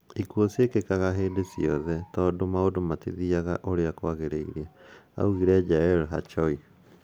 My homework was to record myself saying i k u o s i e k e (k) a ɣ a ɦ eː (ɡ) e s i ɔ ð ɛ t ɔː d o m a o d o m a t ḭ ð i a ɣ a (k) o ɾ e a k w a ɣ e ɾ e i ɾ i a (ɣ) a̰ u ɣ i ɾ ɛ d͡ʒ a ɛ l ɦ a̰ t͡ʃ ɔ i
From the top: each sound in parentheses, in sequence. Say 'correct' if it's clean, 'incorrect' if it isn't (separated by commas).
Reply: correct, incorrect, incorrect, incorrect